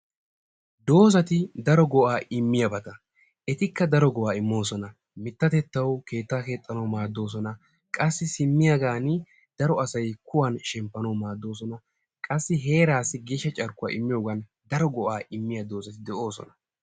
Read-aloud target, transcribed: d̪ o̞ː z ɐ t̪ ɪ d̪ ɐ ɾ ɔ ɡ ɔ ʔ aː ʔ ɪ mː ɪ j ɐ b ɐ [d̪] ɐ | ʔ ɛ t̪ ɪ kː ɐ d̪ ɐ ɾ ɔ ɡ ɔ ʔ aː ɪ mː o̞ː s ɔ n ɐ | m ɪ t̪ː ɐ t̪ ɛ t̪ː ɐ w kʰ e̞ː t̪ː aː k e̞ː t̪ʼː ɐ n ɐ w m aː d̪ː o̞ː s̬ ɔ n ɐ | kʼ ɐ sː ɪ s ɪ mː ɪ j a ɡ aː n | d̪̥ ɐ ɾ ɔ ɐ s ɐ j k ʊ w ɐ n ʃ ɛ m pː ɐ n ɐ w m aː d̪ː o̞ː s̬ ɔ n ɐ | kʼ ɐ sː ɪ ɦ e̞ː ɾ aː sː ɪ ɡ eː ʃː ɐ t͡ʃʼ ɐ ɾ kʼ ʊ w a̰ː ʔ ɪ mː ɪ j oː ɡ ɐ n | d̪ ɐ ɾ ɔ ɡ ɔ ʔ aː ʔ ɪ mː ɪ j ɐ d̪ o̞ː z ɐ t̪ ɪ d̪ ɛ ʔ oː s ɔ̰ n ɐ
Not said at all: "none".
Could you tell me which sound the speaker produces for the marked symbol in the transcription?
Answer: t̪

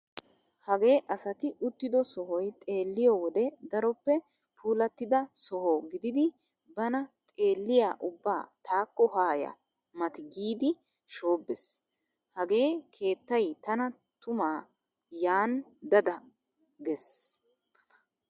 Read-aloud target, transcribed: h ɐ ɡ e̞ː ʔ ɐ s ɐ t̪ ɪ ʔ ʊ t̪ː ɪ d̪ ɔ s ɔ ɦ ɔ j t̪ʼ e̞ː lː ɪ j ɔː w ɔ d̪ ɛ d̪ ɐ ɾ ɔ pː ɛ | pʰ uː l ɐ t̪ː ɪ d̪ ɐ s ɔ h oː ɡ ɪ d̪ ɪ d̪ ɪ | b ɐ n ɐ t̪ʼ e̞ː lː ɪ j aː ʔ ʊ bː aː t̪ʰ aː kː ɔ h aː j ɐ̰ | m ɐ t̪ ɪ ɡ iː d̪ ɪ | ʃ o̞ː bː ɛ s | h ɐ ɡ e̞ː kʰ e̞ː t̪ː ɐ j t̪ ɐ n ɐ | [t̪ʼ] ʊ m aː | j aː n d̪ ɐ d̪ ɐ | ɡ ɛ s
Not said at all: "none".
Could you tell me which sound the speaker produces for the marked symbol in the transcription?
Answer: t̪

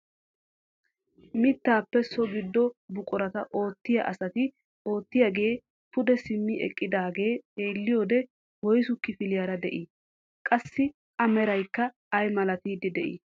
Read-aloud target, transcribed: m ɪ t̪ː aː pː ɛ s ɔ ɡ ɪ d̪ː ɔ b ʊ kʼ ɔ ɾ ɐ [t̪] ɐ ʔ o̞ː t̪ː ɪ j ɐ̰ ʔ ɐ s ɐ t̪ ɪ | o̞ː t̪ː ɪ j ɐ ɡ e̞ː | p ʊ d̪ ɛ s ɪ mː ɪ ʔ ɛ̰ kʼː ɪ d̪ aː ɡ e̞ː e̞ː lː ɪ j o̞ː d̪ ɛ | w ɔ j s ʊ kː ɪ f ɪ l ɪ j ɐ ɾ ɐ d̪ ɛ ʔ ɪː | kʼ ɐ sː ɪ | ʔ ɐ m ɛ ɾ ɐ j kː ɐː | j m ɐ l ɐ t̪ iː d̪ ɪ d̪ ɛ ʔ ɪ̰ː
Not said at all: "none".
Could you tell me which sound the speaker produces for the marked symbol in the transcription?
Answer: t̪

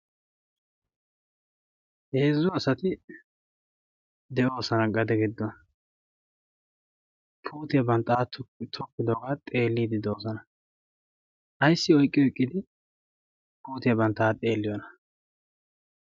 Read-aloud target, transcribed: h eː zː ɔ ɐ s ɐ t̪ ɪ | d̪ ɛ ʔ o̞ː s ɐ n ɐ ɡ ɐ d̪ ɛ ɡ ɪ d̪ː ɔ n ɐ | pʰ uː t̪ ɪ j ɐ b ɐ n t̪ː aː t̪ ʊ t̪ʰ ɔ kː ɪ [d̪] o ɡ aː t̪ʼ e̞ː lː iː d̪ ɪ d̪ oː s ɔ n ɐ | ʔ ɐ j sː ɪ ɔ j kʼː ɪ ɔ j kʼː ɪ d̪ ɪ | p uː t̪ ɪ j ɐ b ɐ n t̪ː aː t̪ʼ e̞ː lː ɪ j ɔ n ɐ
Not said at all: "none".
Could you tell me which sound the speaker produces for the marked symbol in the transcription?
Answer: d̪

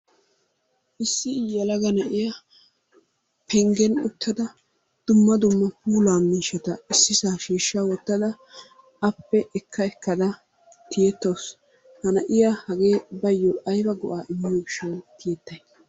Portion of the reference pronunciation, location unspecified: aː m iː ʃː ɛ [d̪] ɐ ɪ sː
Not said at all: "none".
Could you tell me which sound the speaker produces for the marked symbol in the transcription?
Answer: t̪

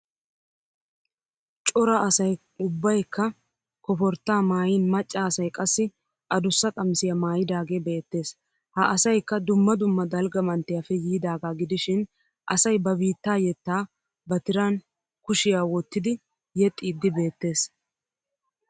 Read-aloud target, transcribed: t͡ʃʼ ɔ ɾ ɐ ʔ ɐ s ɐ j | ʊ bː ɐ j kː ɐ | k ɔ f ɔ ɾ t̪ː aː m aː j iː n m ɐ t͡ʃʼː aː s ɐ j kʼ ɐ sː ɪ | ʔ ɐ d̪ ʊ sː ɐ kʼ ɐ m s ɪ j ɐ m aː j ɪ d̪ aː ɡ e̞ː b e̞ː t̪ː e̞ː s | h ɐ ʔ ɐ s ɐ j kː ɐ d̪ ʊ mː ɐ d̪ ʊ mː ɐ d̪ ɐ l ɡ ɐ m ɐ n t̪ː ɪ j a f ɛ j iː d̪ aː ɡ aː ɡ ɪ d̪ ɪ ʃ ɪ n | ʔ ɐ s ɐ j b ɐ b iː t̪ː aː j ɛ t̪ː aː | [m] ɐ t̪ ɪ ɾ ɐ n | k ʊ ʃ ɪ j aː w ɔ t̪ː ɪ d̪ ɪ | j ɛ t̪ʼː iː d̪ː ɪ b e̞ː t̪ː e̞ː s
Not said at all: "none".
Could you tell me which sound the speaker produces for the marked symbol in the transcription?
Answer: b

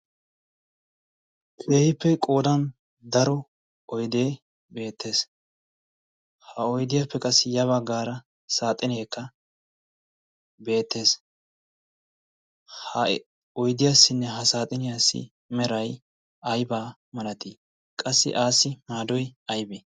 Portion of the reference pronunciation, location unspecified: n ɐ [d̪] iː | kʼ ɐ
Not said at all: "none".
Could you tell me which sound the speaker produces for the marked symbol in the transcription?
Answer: t̪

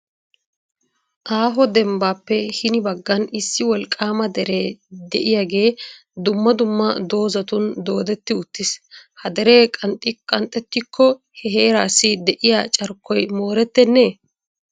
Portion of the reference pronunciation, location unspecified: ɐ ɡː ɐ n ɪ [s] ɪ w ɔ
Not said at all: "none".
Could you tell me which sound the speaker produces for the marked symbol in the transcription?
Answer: sː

